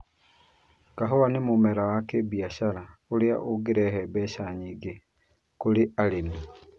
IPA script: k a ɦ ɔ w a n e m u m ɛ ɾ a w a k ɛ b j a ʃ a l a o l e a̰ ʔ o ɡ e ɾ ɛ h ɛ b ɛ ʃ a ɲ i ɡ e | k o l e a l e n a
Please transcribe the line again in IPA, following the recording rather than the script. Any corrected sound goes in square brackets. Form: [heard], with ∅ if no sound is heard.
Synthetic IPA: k a ɦ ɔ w a n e m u m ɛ ɾ a w a k [e] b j a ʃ a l a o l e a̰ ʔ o ɡ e ɾ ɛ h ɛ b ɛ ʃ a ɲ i ɡ e | k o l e a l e n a